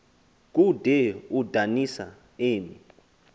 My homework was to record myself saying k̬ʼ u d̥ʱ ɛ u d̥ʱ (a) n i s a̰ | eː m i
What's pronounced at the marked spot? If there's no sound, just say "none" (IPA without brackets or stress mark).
a